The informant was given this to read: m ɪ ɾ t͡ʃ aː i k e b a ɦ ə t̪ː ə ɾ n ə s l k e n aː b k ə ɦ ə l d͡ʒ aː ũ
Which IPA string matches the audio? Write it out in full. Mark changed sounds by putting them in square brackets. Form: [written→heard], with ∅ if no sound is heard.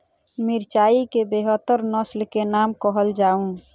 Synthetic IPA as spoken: m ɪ ɾ t͡ʃ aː i k e b [a→e] ɦ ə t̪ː ə ɾ n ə s l k e n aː [b→m] k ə ɦ ə l d͡ʒ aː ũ